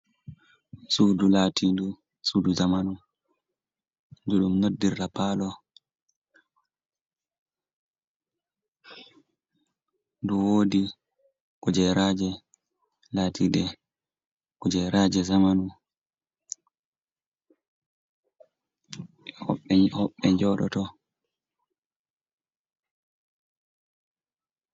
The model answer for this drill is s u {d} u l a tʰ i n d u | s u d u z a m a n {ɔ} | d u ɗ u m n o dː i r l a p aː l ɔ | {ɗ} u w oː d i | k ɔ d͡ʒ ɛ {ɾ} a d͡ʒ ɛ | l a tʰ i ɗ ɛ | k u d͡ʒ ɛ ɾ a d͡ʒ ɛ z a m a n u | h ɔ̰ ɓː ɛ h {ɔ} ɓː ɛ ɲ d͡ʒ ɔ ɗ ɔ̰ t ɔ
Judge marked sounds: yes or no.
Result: yes, no, no, yes, yes

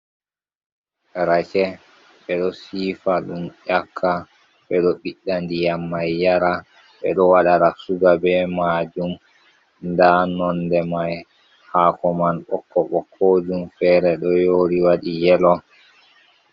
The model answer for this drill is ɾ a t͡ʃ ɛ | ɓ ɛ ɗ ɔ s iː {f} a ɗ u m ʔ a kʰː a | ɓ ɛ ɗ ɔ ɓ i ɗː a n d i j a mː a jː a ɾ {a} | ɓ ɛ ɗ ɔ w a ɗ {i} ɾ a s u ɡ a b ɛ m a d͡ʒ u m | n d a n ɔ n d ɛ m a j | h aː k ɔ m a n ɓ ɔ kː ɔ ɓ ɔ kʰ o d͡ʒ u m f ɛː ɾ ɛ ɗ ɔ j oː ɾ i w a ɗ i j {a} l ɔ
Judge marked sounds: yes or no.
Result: yes, yes, no, no

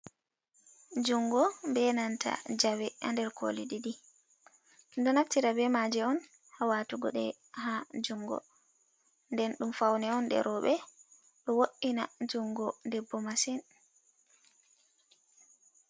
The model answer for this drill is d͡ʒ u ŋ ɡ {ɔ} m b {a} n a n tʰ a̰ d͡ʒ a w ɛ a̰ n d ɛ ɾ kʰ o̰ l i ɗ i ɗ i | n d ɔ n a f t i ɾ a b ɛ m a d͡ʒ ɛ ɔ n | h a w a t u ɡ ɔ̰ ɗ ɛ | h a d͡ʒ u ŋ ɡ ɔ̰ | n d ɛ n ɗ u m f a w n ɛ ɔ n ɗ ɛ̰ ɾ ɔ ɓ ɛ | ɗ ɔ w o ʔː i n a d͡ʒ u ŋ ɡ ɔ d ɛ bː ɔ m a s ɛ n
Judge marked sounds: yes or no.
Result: yes, no

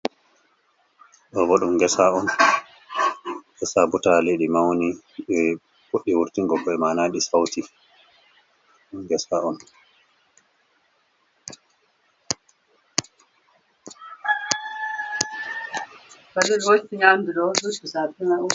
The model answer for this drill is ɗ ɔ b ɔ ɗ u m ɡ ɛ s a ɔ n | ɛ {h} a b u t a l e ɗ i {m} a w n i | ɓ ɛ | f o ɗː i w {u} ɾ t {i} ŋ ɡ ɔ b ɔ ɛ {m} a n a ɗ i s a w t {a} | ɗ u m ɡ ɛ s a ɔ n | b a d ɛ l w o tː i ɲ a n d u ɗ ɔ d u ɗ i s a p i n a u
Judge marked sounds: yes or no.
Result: no, yes, yes, yes, yes, no

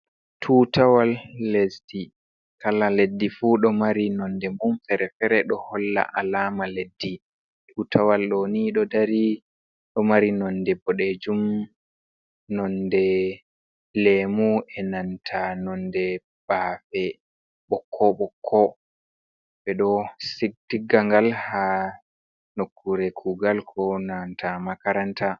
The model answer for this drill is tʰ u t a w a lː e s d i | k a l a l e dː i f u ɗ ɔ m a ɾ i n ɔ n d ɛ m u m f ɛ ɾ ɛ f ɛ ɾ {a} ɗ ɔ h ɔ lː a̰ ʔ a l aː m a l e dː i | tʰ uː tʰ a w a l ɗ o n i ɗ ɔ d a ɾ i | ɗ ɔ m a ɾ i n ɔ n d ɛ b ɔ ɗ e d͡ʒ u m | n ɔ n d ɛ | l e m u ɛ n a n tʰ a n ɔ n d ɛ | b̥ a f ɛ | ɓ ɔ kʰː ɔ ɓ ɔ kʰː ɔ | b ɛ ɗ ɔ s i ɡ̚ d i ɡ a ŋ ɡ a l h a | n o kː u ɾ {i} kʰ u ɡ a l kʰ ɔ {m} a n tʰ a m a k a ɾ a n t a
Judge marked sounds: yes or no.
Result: no, no, no

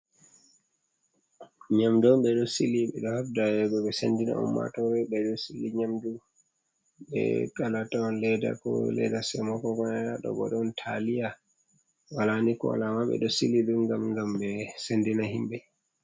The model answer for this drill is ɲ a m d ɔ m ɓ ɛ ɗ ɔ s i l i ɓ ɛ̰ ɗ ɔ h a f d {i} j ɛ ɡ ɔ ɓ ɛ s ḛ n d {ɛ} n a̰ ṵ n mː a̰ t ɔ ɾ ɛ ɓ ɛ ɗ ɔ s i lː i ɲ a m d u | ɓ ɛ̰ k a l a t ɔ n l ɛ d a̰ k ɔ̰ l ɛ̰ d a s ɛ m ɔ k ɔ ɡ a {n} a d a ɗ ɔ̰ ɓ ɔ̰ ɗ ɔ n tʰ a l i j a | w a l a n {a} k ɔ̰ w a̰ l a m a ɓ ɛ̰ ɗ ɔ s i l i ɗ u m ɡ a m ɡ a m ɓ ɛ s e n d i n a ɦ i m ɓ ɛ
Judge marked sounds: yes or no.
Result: no, no, yes, no

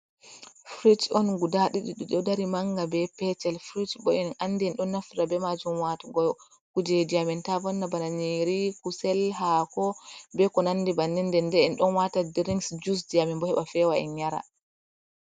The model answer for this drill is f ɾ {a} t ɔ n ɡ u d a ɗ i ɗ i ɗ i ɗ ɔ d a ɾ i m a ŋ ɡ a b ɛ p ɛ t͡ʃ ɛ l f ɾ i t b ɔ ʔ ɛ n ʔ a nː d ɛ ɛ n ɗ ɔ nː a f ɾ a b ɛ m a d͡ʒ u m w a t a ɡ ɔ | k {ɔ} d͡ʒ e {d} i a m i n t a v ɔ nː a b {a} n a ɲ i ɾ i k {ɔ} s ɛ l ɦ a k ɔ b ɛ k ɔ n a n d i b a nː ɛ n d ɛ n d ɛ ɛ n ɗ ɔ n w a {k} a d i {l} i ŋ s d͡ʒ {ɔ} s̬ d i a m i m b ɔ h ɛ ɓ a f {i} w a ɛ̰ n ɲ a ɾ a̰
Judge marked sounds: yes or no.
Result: no, no, yes, yes, no, no, no, no, no

